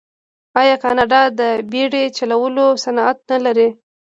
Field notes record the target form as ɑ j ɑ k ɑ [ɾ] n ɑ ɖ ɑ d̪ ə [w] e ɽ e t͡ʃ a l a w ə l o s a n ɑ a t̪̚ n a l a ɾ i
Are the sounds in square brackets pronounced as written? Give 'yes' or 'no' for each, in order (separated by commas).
no, no